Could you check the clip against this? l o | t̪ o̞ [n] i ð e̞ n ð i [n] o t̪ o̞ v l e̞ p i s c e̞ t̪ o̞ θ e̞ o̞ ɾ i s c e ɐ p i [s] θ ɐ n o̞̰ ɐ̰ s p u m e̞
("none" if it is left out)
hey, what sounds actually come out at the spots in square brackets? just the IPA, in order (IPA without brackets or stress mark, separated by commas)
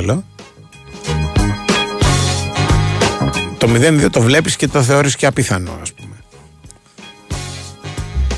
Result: m, none, none